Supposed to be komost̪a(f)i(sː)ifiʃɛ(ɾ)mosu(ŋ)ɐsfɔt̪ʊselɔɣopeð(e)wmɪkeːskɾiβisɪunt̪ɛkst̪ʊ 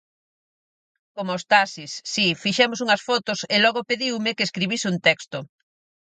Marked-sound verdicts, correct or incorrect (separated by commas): incorrect, correct, incorrect, correct, incorrect